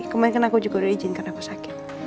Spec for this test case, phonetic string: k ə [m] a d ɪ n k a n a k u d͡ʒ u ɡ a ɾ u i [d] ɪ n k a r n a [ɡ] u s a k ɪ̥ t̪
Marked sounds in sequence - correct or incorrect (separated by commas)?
correct, incorrect, incorrect